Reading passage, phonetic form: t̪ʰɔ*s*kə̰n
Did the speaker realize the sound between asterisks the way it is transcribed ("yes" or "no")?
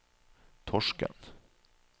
no